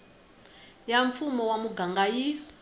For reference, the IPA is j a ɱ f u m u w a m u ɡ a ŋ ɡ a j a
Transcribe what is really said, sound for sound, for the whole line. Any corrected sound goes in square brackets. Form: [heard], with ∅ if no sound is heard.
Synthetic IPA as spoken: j a ɱ f u m [ɔ] w a m u ɡ a ŋ ɡ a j [i]